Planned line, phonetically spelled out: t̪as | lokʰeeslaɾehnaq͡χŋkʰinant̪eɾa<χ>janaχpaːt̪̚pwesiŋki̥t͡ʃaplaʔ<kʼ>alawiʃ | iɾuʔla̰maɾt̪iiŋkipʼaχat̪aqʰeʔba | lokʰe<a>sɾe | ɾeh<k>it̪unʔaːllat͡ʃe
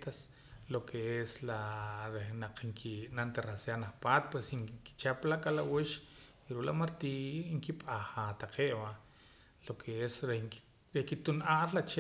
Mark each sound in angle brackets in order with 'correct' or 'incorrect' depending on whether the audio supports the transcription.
incorrect: s, correct, incorrect: e, correct

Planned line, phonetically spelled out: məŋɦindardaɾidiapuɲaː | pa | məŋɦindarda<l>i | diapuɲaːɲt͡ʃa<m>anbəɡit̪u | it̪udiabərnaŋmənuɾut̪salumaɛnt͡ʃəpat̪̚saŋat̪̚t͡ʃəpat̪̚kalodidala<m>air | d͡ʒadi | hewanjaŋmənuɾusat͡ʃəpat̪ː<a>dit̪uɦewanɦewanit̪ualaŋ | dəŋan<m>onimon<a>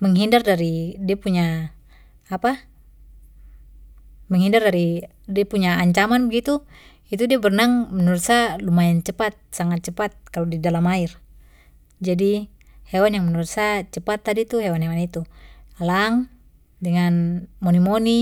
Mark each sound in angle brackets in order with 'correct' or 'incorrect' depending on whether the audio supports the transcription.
incorrect: ɾ, correct, correct, correct, correct, incorrect: i

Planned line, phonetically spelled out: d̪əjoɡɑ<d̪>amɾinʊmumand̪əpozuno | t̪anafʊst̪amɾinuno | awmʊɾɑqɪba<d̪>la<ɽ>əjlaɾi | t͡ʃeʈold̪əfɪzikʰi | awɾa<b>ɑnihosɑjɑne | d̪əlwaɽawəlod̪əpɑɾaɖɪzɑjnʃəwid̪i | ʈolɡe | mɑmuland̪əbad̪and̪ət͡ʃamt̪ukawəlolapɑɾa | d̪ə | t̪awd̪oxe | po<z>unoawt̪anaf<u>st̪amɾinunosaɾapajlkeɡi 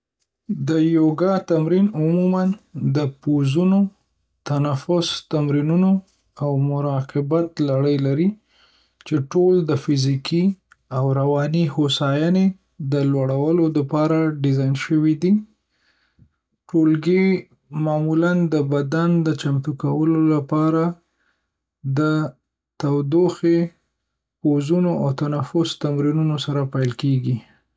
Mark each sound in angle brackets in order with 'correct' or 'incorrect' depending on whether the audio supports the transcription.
incorrect: t̪, incorrect: t̪, correct, incorrect: w, correct, incorrect: ʊ

